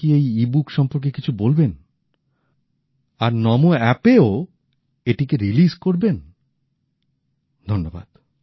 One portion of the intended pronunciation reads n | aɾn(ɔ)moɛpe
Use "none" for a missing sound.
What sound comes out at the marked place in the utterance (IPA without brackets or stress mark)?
ɔ